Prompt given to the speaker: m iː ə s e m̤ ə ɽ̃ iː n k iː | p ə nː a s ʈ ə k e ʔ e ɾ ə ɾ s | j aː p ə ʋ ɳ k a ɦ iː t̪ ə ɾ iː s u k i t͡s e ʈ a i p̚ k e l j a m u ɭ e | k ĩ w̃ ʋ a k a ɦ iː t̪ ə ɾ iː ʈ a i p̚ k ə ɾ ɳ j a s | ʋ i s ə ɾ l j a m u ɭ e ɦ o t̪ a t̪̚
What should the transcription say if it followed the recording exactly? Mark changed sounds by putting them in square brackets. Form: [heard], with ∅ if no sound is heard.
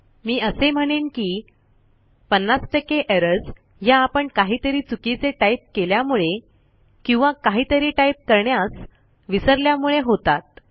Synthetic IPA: m iː ə s e m̤ ə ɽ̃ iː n k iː | p ə nː a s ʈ ə k e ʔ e ɾ ə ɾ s | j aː p ə [∅] ɳ k a ɦ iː t̪ ə ɾ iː [t͡s] u k i t͡s e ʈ a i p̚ k e l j a m u ɭ e | k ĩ w̃ ʋ a k a ɦ iː t̪ ə ɾ iː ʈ a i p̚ k ə ɾ ɳ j a s | ʋ i s ə ɾ l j a m u ɭ e ɦ o t̪ a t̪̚